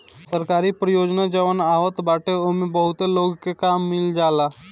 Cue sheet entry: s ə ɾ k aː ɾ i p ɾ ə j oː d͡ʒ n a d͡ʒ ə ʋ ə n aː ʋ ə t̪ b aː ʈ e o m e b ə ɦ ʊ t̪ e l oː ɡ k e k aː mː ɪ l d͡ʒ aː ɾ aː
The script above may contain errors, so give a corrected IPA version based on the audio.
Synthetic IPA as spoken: s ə ɾ k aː ɾ i p ɾ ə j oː d͡ʒ n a d͡ʒ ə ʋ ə n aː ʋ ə t̪ b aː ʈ e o m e b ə ɦ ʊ t̪ e l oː ɡ k e k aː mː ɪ l d͡ʒ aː l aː